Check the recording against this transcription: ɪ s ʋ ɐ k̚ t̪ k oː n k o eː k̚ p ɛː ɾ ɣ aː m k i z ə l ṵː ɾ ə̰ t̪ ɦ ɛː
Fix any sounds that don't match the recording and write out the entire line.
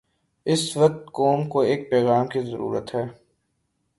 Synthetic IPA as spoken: ɪ s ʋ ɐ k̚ t̪ k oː m k o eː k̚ p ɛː ɣ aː m k i z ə ɾ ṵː ɾ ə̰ t̪ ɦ ɛː